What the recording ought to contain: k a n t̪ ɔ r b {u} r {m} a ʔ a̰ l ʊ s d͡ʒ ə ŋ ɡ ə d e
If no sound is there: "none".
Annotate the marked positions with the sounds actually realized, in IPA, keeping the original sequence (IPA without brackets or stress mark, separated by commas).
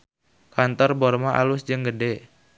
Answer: ɔ, m